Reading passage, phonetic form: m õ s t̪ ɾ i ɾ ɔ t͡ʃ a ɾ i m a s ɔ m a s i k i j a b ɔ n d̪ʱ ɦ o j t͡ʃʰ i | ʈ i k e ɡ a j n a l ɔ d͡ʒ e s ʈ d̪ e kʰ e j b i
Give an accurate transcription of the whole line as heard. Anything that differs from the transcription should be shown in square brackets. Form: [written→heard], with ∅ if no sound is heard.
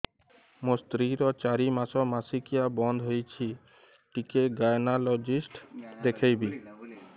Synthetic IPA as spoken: m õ s t̪ ɾ i ɾ ɔ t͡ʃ a ɾ i m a s ɔ m a s i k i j a b ɔ n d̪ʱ ɦ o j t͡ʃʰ i | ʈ i k e ɡ a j n a l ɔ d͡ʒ [e→i] s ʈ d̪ e kʰ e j b i